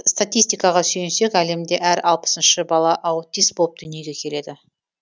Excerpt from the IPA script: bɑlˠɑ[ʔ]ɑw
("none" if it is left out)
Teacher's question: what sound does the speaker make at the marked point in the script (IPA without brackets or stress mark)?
ʔ